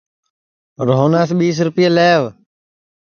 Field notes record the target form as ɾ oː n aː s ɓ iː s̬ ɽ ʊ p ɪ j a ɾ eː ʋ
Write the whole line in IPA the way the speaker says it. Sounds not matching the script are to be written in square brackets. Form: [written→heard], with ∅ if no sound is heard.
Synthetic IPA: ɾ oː n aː s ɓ iː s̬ [ɽ→ɾ] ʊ p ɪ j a [ɾ→l] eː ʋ